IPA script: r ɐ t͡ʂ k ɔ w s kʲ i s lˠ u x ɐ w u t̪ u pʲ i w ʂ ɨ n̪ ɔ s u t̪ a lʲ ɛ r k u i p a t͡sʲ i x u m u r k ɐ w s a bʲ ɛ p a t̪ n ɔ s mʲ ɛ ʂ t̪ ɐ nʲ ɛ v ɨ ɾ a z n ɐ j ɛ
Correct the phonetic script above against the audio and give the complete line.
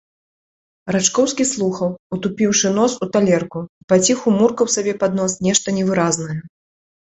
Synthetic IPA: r a t͡ʂ k ɔ w s kʲ i s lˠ u x ɐ w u t̪ u pʲ i w ʂ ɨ n̪ ɔ s u t̪ a lʲ ɛ r k u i p a t͡sʲ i x u m u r k ɐ w s a bʲ ɛ p a d̪ n ɔ s nʲ ɛ ʂ t̪ ɐ nʲ ɛ v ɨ ɾ a z n ɐ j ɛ